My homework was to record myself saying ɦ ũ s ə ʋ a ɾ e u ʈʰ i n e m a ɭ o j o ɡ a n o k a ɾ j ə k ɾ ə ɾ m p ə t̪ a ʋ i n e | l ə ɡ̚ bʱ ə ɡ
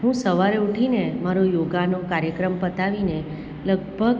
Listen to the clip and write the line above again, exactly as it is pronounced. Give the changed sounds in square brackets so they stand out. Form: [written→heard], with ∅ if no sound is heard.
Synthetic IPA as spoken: ɦ ũ s ə ʋ a ɾ e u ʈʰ i n e m a [ɭ→ɾ] o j o ɡ a n o k a ɾ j ə k ɾ ə [ɾ→∅] m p ə t̪ a ʋ i n e | l ə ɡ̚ bʱ ə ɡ